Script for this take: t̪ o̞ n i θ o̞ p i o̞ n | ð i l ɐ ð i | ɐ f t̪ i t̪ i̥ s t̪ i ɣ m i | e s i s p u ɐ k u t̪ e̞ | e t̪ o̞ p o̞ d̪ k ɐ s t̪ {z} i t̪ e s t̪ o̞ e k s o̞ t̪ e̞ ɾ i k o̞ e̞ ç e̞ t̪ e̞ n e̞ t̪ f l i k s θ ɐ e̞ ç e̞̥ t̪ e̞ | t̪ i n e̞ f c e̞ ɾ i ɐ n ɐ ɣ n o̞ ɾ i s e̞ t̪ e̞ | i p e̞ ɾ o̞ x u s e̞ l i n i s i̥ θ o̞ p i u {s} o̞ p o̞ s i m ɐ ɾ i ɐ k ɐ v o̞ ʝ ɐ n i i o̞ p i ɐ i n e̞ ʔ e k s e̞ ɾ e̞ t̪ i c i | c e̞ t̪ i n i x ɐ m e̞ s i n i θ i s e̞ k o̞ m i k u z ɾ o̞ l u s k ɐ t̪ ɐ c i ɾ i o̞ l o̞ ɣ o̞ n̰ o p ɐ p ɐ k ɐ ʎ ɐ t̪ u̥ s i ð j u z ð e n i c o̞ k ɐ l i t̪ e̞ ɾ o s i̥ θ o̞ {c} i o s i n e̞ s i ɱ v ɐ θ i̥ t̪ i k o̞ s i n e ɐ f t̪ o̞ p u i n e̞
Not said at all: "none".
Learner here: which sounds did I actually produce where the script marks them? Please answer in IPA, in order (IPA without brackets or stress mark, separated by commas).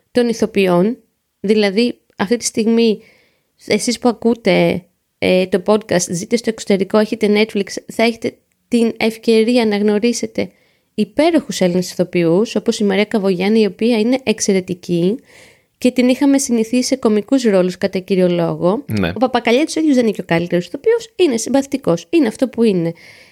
z, s, p